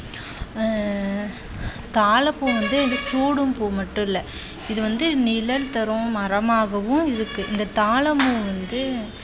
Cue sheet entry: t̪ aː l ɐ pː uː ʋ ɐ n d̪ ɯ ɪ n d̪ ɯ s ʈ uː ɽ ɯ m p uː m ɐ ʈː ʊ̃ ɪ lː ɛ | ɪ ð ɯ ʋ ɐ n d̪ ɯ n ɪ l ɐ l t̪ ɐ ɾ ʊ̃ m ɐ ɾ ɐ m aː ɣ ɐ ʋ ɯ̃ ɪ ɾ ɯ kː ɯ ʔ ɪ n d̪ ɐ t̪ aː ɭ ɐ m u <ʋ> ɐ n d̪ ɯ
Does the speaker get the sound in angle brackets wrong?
no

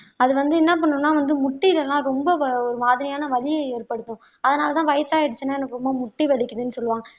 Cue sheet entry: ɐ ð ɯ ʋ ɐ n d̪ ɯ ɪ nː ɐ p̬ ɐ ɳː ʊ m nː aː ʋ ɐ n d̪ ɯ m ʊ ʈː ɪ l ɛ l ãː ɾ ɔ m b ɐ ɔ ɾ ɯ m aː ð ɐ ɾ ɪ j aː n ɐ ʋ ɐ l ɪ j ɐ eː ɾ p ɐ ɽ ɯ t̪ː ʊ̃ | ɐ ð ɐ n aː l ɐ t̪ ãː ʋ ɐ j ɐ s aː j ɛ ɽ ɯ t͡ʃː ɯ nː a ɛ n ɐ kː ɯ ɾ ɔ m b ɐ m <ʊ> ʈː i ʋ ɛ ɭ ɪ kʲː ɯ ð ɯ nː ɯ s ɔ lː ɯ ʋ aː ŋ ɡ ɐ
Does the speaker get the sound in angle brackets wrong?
no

